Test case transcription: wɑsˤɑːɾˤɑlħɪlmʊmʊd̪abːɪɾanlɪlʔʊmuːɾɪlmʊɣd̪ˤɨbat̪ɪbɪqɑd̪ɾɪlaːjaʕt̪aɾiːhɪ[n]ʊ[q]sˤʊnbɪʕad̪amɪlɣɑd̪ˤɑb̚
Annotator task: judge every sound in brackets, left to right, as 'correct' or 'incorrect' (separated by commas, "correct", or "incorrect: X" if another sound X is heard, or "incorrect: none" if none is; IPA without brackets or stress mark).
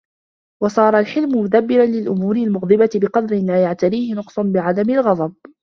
correct, correct